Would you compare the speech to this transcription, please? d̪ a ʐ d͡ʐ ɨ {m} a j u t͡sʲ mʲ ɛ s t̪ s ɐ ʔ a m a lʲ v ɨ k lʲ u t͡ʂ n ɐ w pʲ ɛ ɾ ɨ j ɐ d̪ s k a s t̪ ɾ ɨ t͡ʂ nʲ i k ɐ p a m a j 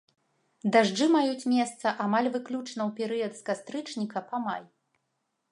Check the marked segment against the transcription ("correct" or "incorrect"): correct